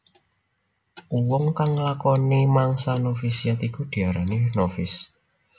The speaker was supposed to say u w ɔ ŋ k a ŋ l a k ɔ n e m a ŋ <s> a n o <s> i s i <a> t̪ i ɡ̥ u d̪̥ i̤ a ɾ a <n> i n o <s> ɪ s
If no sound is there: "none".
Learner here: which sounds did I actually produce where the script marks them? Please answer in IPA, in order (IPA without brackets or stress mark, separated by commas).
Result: s, f, a, n, f